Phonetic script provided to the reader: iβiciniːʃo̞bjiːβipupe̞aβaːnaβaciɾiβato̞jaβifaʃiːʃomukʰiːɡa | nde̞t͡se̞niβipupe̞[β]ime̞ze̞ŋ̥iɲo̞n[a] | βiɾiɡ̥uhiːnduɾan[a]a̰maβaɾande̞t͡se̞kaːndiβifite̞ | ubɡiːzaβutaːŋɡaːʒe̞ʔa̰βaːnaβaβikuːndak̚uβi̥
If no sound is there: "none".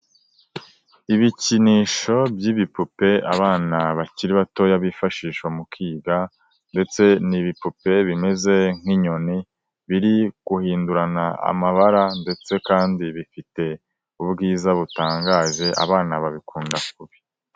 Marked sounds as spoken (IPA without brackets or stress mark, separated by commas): β, i, a